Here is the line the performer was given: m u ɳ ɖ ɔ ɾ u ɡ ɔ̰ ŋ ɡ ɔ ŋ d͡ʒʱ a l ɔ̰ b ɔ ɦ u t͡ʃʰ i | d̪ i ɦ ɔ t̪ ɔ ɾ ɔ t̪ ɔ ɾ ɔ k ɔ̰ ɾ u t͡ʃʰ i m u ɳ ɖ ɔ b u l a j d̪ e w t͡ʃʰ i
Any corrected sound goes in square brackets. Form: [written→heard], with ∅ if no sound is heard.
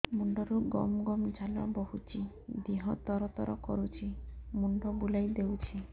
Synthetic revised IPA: m u ɳ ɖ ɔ ɾ u ɡ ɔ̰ [ŋ→m] ɡ ɔ [ŋ→m] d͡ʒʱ a l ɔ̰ b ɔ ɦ u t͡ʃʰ i | d̪ i ɦ ɔ t̪ ɔ ɾ ɔ t̪ ɔ ɾ ɔ k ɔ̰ ɾ u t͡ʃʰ i m u ɳ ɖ ɔ b u l a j d̪ e w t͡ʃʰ i